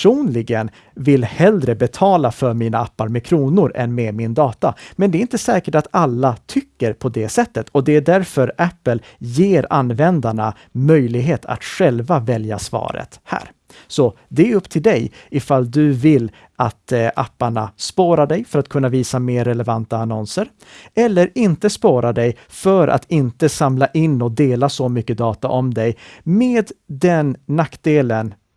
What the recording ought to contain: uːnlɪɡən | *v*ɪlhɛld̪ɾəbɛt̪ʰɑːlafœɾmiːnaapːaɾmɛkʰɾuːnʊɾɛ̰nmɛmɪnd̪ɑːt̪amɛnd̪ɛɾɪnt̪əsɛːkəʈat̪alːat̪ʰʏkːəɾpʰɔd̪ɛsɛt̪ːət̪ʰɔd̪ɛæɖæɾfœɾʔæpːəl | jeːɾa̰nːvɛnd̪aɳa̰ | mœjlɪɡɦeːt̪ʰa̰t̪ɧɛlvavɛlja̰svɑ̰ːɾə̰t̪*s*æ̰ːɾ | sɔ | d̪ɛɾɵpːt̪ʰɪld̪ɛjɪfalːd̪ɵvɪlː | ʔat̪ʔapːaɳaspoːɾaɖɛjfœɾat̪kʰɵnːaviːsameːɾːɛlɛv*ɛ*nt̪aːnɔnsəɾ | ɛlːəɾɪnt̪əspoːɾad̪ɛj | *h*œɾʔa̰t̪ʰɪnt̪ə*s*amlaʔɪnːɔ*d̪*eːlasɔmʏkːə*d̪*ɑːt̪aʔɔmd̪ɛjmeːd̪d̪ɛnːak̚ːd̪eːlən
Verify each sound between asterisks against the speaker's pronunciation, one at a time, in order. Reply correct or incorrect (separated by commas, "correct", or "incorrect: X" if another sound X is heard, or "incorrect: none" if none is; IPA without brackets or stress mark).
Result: correct, incorrect: h, incorrect: a, incorrect: f, correct, correct, correct